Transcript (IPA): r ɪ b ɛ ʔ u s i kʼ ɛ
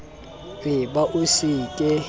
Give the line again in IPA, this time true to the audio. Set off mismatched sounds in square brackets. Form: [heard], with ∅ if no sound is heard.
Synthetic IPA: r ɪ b [a] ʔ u s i kʼ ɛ